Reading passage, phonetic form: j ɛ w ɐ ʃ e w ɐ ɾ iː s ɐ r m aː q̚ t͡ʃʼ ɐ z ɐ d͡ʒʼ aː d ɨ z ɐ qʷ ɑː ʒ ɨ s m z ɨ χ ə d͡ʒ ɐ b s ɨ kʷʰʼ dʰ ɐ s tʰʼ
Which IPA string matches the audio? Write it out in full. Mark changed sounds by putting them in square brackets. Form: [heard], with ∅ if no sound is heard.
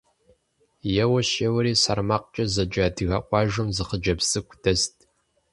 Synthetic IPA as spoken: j ɛ w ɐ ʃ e w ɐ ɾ iː s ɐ r m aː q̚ t͡ʃʼ ɐ z ɐ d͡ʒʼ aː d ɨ [ɣ] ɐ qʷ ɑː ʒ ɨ [∅] m z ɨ χ ə d͡ʒ ɐ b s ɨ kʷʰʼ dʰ ɐ s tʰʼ